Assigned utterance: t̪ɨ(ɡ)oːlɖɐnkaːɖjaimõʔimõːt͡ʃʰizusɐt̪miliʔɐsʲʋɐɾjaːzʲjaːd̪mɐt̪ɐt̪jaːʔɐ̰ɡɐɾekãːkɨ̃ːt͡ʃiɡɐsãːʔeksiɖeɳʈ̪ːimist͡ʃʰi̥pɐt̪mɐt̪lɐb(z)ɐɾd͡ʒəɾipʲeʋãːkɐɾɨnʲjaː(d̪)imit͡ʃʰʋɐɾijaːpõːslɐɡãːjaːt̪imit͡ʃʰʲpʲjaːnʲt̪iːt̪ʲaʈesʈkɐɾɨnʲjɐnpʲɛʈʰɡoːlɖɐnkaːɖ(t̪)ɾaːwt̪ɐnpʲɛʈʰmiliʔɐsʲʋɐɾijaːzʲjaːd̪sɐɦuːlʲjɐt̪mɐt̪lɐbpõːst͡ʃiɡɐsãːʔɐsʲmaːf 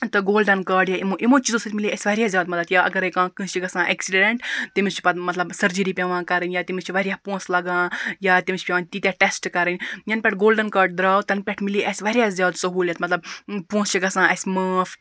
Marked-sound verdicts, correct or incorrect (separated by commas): correct, incorrect, incorrect, incorrect